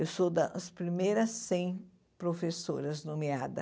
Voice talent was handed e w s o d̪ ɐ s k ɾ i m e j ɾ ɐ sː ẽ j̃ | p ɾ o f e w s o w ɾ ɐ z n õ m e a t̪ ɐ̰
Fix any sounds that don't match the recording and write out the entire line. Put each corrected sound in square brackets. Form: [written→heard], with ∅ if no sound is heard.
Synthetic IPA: e w s o d̪ ɐ s [k→p] ɾ i m e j ɾ ɐ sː ẽ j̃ | p ɾ o f e [w→∅] s o [w→∅] ɾ ɐ z n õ m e a [t̪→d̪] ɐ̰

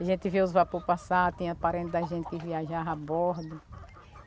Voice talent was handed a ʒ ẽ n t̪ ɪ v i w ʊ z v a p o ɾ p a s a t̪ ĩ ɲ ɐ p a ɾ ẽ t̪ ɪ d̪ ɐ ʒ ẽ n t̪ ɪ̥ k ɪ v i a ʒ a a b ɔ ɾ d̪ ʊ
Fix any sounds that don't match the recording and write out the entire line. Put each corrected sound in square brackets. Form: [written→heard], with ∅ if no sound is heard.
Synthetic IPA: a ʒ ẽ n t̪ ɪ v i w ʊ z v a p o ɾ p a s a t̪ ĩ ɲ ɐ p a ɾ ẽ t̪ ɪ d̪ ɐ ʒ ẽ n t̪ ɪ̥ k ɪ v i a ʒ a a b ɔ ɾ d̪ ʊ

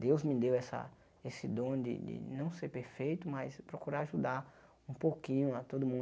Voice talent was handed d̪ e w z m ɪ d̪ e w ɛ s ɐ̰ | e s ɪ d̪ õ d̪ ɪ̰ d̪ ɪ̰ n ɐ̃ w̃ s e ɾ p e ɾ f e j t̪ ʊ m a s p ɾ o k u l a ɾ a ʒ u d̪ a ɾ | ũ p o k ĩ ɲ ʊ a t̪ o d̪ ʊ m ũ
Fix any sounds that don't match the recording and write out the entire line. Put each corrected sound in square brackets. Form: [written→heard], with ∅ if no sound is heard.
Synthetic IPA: d̪ e w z m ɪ d̪ e w ɛ s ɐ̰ | e s ɪ d̪ õ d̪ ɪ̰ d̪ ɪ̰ n ɐ̃ w̃ s e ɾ p e ɾ f e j t̪ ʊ m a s p ɾ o k u [l→ɾ] a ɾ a ʒ u d̪ a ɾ | ũ p o k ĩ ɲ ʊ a t̪ o d̪ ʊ m ũ

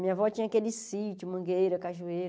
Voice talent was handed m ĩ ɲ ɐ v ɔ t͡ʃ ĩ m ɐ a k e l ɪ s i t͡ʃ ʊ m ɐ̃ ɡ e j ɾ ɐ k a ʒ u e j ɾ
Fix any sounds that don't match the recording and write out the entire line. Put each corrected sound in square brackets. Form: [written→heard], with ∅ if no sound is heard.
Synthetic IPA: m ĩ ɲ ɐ v ɔ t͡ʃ ĩ [m→ɲ] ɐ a k e l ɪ s i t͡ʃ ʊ m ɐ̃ ɡ e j ɾ ɐ k a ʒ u e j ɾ

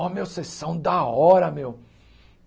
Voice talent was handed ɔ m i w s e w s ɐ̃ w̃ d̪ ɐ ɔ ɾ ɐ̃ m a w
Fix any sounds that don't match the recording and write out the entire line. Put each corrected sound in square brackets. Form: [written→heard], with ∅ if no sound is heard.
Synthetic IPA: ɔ m [i→e] w s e [w→∅] s ɐ̃ w̃ d̪ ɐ ɔ ɾ [ɐ̃→ɐ] m [a→e] w

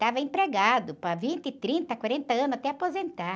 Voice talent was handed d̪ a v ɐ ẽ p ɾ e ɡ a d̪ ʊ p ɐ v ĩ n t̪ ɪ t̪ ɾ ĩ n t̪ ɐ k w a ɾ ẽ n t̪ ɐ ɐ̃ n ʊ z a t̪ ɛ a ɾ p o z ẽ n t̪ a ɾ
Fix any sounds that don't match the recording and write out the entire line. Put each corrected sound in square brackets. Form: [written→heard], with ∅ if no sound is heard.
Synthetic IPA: [d̪→t̪] a v ɐ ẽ p ɾ e ɡ a d̪ ʊ p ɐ v ĩ n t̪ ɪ t̪ ɾ ĩ n t̪ ɐ k w a ɾ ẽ n t̪ ɐ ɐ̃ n ʊ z a t̪ ɛ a [ɾ→∅] p o z ẽ n t̪ a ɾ

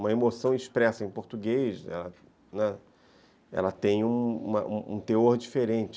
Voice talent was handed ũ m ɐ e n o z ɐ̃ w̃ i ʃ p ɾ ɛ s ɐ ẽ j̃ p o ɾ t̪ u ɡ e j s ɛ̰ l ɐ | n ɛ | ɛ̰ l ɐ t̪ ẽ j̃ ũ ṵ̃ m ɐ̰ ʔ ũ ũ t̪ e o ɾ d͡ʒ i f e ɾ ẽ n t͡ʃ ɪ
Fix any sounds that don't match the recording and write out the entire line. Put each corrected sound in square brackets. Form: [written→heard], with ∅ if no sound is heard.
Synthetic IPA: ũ m ɐ e [n→m] o [z→s] ɐ̃ w̃ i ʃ p ɾ ɛ s ɐ ẽ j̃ p o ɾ t̪ u ɡ e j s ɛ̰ l ɐ | n ɛ | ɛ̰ l ɐ t̪ ẽ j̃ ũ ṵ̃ m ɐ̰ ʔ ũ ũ t̪ e o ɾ d͡ʒ i f e ɾ ẽ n t͡ʃ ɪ

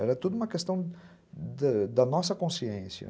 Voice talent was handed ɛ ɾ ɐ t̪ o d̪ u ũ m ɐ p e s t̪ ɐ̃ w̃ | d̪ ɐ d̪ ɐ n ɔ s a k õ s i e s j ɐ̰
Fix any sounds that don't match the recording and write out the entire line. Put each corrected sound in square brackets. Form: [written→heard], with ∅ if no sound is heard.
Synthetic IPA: ɛ ɾ ɐ t̪ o d̪ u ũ m ɐ [p→k] e s t̪ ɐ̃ w̃ | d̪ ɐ d̪ ɐ n ɔ s [a→ɐ] k õ s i [e→ẽ] s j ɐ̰

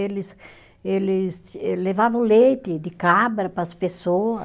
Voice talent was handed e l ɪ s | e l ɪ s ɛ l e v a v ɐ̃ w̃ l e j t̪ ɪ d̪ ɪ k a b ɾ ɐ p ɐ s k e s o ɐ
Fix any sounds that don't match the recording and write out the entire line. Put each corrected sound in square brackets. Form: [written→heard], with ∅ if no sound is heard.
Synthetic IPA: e l ɪ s | e l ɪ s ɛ l e v a v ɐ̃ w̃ l e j t̪ ɪ d̪ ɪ k a b ɾ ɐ p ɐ s [k→p] e s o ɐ

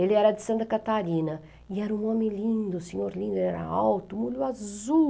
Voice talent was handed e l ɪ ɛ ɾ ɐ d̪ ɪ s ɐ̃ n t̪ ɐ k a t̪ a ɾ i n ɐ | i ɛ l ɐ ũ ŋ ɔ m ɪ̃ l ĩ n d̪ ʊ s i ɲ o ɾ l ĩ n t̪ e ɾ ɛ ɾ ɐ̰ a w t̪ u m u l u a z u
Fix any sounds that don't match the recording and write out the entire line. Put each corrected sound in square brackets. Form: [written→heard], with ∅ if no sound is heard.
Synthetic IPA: e l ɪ ɛ ɾ ɐ d̪ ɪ s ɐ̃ n t̪ ɐ k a t̪ a ɾ i n ɐ | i ɛ [l→ɾ] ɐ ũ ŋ ɔ m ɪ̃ l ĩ n d̪ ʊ s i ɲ o ɾ l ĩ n [t̪→d̪] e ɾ ɛ ɾ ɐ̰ a w t̪ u m u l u a z u

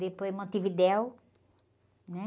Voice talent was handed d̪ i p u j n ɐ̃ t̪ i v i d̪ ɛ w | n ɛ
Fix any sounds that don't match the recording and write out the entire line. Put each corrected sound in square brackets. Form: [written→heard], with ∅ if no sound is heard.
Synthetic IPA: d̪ [i→e] p [u→o] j [n→m] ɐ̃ t̪ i v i d̪ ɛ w | n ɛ

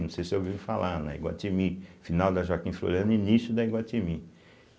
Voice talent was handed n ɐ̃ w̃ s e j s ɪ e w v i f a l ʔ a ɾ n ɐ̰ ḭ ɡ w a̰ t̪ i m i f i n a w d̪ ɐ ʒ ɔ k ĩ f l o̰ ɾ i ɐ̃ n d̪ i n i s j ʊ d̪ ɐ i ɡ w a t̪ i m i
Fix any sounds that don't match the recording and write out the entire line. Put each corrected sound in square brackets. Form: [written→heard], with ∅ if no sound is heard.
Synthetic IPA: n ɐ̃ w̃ s e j s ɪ e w v i f a l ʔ a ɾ n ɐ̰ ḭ ɡ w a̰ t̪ i m i f i n a w d̪ ɐ ʒ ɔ k ĩ f l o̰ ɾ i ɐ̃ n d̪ i n i s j ʊ d̪ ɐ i ɡ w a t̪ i m i

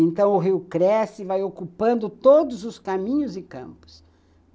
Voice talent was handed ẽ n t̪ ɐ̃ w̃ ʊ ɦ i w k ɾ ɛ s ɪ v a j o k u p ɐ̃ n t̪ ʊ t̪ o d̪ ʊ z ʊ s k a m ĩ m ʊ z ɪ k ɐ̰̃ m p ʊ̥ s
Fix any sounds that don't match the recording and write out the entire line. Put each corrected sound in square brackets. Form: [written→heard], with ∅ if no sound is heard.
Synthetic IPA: ẽ n t̪ ɐ̃ w̃ ʊ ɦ i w k ɾ ɛ s ɪ v a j o k u p ɐ̃ n [t̪→d̪] ʊ t̪ o d̪ ʊ z ʊ s k a m ĩ [m→ɲ] ʊ z ɪ k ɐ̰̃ m p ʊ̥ s

